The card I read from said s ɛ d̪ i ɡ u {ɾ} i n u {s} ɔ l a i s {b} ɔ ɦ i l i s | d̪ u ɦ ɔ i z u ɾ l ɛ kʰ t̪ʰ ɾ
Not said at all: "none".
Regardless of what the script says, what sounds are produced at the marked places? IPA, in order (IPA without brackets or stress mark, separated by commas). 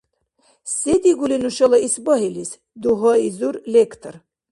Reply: l, ʃ, b